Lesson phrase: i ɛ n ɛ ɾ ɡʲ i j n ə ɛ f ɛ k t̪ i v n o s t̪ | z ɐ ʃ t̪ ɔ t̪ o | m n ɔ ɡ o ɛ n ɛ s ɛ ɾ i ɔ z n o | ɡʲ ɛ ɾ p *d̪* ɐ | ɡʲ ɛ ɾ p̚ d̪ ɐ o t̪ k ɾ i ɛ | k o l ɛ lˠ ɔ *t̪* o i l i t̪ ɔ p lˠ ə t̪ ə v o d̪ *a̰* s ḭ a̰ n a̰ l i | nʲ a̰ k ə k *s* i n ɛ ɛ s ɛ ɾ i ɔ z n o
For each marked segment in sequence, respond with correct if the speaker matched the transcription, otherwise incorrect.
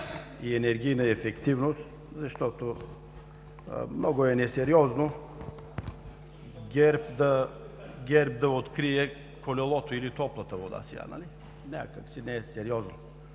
correct, correct, correct, correct

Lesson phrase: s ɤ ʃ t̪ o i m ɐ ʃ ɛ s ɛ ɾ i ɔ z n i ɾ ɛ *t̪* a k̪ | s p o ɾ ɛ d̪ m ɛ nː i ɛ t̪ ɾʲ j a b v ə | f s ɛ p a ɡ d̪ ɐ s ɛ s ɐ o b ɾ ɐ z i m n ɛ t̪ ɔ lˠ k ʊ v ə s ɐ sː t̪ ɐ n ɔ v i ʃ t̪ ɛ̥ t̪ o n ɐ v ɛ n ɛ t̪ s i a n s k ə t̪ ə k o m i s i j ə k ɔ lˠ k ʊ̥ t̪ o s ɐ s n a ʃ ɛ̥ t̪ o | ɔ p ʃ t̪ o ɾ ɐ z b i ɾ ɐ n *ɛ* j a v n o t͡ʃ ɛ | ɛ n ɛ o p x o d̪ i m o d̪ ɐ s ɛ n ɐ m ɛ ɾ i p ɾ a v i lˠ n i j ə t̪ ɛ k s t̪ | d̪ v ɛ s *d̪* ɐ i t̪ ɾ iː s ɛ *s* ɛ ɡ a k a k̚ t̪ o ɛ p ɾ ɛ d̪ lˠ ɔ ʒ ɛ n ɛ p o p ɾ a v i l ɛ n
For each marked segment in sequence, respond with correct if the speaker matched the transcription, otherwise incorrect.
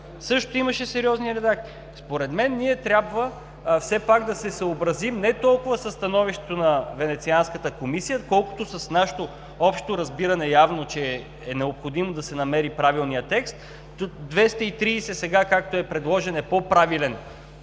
incorrect: d̪, correct, incorrect: t̪, correct

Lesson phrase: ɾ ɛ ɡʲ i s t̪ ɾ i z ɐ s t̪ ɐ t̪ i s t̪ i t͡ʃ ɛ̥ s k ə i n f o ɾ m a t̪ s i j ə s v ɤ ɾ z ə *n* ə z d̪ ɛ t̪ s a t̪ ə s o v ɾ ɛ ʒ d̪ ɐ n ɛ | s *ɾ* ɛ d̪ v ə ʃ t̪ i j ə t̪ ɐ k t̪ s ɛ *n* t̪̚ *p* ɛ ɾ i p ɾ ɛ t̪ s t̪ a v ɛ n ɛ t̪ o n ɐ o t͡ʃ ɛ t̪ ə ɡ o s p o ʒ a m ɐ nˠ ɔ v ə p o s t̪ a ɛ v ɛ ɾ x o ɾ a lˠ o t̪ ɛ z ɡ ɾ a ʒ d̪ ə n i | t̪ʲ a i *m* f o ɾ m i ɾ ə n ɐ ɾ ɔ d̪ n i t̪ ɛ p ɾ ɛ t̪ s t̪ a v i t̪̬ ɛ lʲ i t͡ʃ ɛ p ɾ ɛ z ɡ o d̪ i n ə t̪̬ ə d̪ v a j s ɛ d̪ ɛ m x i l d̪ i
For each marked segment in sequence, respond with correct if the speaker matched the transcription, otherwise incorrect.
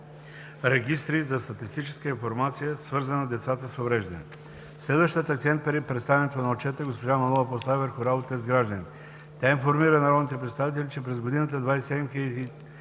correct, incorrect: l, correct, correct, incorrect: n

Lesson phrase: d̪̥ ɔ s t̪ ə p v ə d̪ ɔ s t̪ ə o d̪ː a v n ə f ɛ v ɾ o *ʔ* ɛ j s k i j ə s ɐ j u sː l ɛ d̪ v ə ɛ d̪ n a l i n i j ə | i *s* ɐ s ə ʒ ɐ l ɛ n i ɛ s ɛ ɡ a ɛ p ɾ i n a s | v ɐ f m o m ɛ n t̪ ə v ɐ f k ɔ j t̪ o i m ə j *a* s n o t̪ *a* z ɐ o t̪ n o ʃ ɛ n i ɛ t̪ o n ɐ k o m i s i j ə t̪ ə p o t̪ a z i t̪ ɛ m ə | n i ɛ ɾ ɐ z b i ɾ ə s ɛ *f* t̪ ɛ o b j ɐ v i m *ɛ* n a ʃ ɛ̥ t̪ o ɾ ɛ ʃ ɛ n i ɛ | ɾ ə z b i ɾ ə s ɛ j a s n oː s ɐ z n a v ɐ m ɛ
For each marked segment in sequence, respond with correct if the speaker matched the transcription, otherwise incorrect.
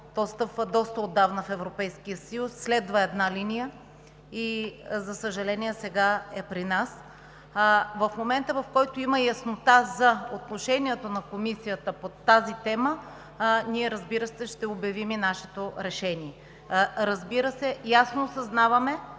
incorrect: p, incorrect: z, incorrect: ɐ, correct, incorrect: ʃ, incorrect: i

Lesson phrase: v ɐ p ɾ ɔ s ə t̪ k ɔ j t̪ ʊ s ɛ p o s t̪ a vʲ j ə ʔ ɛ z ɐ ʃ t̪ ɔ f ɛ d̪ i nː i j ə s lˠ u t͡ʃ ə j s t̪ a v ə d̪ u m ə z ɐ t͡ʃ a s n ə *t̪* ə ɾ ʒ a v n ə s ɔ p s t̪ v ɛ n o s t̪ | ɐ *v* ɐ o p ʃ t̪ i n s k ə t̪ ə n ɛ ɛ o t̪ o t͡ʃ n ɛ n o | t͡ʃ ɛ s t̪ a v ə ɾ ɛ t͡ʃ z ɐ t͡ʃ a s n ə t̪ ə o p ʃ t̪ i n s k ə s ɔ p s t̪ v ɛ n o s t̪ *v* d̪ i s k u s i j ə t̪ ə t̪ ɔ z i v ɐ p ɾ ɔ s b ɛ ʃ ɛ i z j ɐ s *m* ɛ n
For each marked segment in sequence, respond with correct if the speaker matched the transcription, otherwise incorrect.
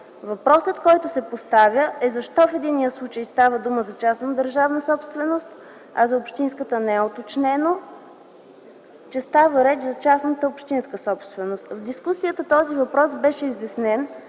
incorrect: d̪, incorrect: z, correct, incorrect: n

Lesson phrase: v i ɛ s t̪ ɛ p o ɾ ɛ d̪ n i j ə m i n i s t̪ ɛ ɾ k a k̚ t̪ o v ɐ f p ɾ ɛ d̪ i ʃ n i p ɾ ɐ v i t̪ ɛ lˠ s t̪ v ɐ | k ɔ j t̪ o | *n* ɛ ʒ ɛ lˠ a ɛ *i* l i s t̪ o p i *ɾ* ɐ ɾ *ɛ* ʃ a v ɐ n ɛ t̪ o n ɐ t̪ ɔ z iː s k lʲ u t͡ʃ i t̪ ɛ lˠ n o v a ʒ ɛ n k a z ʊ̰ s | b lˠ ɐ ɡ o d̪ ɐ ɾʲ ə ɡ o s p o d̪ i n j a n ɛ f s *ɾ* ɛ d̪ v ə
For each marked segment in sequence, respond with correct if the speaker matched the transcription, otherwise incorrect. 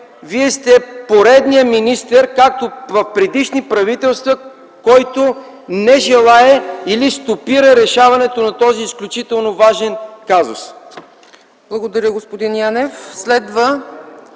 correct, correct, correct, correct, incorrect: l

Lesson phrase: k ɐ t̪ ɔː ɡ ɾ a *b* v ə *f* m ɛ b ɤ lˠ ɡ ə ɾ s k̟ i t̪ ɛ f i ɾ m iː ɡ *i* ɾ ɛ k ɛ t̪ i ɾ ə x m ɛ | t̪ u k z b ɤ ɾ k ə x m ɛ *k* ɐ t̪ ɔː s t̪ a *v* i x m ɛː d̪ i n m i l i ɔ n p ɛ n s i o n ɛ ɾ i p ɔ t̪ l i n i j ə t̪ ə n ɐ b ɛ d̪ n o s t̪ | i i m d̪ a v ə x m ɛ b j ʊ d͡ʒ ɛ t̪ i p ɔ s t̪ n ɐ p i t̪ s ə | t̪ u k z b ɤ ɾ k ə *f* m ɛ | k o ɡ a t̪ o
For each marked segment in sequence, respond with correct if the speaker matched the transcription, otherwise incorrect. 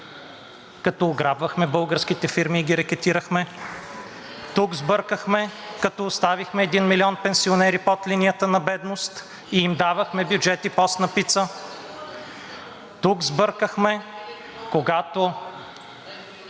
correct, incorrect: x, correct, correct, correct, incorrect: x

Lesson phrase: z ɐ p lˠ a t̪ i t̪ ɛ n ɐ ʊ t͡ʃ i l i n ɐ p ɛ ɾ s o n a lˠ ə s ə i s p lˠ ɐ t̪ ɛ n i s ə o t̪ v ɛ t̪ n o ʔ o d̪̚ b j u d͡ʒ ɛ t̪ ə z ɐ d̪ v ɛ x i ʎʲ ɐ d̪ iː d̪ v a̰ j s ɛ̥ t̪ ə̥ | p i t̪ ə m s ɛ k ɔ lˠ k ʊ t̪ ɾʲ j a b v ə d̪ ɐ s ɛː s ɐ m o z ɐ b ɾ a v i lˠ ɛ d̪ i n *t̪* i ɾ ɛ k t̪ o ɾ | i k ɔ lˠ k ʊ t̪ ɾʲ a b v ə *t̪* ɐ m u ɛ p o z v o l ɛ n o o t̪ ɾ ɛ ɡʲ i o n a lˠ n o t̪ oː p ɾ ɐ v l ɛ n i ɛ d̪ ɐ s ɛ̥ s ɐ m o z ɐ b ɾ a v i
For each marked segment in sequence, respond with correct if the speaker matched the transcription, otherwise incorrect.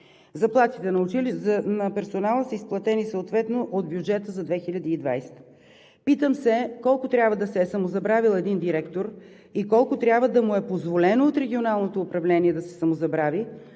incorrect: d̪, incorrect: d̪

